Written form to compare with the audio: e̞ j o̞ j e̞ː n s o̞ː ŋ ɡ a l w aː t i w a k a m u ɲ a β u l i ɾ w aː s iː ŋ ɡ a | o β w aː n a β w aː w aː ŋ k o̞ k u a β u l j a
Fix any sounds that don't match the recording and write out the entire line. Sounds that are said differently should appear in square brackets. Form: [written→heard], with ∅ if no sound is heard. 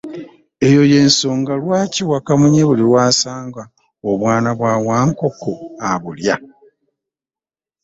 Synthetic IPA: e̞ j o̞ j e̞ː n s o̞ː ŋ ɡ a l w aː [t→c] i w a k a m u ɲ [a→e] β u l i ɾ w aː s [iː→aː] ŋ ɡ a | o β w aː n a β w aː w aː ŋ k o̞ k [u→o] a β u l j a